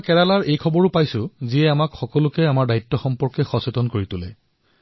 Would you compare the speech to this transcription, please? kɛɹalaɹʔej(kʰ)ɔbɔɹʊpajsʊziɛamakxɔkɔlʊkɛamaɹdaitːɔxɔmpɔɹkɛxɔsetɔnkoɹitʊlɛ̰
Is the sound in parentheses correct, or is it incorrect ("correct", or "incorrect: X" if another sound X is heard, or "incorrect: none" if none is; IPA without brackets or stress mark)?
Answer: correct